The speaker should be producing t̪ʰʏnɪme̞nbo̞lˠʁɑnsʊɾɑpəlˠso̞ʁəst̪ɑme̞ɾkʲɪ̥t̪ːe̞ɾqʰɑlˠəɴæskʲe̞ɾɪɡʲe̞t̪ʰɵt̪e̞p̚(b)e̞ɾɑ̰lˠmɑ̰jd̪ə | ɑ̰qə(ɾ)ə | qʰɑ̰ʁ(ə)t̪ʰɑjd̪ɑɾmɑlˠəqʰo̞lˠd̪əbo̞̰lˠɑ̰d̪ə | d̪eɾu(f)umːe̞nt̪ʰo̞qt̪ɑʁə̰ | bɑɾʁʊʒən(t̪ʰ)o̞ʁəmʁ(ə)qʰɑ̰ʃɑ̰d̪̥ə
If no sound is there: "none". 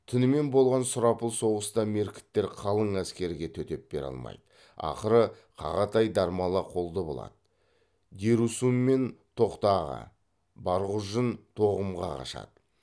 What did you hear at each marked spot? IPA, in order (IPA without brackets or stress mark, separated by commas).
b, ɾ, ɑ, s, t̪ʰ, ɑ